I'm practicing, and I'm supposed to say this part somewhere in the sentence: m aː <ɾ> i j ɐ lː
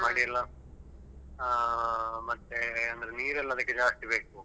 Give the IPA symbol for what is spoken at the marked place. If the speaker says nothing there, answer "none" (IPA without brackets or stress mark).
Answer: ɽ